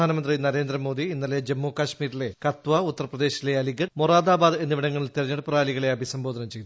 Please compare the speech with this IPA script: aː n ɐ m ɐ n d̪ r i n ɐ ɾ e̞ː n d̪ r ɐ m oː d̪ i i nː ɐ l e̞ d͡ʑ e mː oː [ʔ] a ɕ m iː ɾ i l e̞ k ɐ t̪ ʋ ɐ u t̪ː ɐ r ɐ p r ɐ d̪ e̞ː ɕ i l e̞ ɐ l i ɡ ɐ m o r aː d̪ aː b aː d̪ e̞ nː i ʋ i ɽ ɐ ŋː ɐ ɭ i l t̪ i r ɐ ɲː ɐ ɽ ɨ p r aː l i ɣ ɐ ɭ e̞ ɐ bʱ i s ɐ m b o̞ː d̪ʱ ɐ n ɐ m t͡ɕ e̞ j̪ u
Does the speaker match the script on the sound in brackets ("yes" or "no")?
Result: no